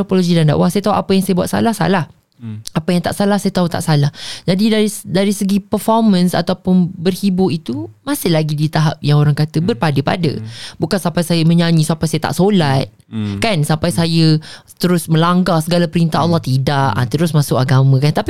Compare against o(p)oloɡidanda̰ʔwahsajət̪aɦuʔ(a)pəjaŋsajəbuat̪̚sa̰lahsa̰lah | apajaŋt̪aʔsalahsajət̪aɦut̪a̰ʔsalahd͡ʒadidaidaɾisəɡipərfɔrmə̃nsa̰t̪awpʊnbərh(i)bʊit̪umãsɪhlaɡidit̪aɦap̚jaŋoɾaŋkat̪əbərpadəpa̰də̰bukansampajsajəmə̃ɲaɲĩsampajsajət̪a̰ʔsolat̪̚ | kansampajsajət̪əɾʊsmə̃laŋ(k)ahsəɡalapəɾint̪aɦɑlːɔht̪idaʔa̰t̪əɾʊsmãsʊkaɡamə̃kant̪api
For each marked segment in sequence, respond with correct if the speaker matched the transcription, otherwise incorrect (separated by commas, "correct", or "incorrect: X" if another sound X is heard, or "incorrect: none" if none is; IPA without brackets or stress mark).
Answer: correct, correct, correct, incorrect: ɡ